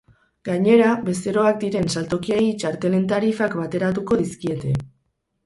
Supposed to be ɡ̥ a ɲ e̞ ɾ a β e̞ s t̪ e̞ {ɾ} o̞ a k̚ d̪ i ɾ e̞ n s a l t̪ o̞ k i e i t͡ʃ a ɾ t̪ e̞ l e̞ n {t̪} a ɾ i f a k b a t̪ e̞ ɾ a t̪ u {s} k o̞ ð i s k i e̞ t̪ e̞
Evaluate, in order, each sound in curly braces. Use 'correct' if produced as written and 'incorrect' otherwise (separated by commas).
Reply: correct, correct, incorrect